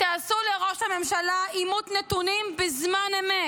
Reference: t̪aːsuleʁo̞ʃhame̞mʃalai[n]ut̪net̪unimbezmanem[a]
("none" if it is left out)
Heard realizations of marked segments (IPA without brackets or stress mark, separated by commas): m, e